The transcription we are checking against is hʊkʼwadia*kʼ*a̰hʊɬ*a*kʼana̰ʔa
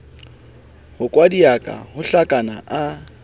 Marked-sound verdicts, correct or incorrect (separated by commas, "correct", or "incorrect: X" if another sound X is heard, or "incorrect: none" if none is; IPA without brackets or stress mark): correct, correct